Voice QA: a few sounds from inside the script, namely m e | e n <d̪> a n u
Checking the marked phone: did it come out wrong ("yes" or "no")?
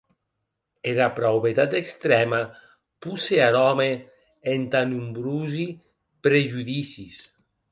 yes